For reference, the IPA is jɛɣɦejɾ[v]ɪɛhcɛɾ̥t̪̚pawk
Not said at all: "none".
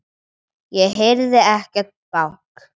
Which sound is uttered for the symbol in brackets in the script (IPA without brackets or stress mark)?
ð